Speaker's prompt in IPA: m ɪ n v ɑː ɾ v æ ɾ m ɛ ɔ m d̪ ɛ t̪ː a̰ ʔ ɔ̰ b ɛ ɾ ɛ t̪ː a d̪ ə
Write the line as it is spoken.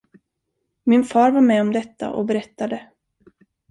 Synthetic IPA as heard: m ɪ n f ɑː ɾ v a ɾ m ɛ ɔ m d̪ ɛ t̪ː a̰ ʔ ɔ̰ b ɛ ɾ ɛ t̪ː a d̪ ə

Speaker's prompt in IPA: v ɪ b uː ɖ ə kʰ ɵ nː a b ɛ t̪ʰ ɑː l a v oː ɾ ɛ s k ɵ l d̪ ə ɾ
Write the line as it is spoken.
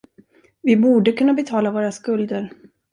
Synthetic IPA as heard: v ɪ b uː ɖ ə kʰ ɵ nː a b ɛ t̪ʰ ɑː l a v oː ɾ a s k ɵ l d̪ ə ɾ

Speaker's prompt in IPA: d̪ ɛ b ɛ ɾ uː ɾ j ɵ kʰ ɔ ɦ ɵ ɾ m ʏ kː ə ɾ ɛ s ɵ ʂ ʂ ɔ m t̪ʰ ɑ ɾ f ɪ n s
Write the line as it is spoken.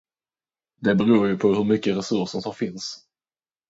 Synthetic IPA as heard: d̪ ɛ b ɛ ɾ uː ɾ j ɵ pʰ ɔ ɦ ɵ ɾ m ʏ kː ə ɾ ɛ s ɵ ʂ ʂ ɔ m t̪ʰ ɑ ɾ f ɪ n s

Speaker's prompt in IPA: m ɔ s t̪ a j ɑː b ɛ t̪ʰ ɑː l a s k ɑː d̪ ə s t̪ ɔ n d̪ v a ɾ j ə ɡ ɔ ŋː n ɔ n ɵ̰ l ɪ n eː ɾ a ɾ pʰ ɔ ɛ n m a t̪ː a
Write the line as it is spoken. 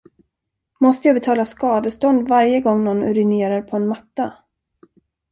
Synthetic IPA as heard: m ɔ s t̪ ə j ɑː b ɛ t̪ʰ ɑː l a s k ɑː d̪ ə s t̪ ɔ n d̪ v a ɾ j ə ɡ ɔ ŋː n ɔ n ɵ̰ ɾ ɪ n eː ɾ a ɾ pʰ ɔ ɛ n m a t̪ː a

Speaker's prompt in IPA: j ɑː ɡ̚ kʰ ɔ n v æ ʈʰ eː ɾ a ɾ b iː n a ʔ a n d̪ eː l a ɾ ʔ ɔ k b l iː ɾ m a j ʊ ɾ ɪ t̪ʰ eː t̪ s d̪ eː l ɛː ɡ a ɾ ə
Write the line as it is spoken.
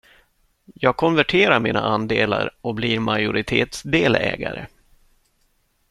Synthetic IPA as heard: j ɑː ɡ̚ kʰ ɔ n v æ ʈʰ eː ɾ a ɾ m iː n a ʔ a n d̪ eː l a ɾ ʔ ɔ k b l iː ɾ m a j ʊ ɾ ɪ t̪ʰ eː t̪ s d̪ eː l ɛː ɡ a ɾ ə

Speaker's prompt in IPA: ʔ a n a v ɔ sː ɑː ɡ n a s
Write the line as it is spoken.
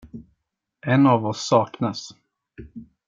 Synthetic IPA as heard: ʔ ɛ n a v ɔ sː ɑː k n a s

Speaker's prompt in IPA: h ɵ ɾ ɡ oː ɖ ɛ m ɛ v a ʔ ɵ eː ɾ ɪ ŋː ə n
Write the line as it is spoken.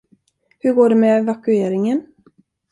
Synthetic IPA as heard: h ɵ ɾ ɡ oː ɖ ɛ m ɛ v a k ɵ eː ɾ ɪ ŋ ə n

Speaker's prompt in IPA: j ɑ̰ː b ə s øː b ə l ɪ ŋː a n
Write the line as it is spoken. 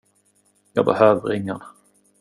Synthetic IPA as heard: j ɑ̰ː b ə h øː v ə ɾ ɪ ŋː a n

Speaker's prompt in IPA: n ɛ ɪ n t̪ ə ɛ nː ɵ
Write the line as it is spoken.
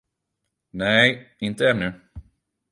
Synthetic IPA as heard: n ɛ ɪ n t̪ ə ɛ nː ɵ

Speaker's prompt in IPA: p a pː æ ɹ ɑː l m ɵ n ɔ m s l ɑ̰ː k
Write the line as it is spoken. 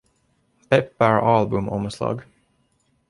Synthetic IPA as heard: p ɛ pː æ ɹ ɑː l b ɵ m ɔ m s l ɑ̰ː ɡ

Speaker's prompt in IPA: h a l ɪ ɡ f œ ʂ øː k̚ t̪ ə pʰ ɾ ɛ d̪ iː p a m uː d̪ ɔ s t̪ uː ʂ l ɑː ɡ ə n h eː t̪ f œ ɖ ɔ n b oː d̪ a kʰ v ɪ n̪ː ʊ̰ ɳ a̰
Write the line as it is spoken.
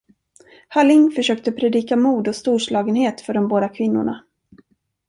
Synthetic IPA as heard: h a l ɪ ŋ f œ ʂ øː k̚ t̪ ə pʰ ɾ ɛ d̪ iː k a m uː d̪ ɔ s t̪ uː ʂ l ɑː ɡ ə n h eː t̪ f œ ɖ ɔ m b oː d̪ a kʰ v ɪ n̪ː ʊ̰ ɳ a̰

